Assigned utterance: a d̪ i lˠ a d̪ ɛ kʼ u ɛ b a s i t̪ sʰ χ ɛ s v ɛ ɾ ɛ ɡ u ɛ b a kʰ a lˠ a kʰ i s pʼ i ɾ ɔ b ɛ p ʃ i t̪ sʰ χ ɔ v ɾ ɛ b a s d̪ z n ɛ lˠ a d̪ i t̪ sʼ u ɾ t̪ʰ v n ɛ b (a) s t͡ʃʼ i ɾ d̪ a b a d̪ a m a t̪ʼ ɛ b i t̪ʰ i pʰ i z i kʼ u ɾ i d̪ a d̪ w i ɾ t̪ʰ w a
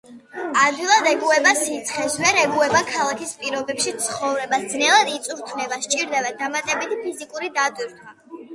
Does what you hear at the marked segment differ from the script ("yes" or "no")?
no